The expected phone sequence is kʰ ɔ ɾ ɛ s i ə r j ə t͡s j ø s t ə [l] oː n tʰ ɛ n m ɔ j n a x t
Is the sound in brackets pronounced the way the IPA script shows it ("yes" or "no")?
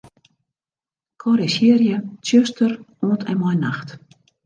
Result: no